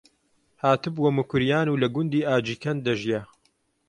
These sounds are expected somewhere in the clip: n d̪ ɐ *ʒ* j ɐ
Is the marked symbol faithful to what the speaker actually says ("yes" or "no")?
yes